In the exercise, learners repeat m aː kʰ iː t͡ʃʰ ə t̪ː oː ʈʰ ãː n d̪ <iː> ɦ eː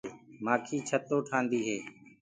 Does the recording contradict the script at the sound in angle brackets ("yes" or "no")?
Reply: no